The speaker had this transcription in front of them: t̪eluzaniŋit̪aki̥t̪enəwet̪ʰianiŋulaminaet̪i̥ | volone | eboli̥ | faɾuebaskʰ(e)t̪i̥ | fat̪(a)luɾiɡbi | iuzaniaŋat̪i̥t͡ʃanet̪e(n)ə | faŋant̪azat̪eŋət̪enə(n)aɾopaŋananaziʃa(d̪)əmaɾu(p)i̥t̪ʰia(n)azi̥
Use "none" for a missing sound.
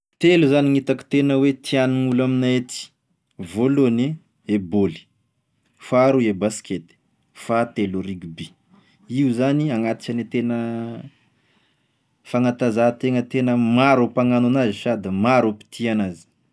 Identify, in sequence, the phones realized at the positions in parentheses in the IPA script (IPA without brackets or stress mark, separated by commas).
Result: e, e, n, m, d̪, p, n